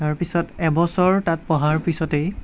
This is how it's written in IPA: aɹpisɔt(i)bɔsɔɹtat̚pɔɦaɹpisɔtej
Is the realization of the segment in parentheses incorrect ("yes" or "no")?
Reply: yes